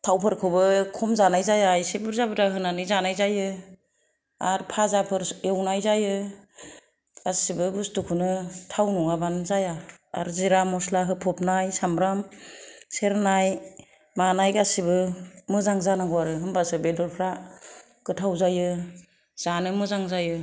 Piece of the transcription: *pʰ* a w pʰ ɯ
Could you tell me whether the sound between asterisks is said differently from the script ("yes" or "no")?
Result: yes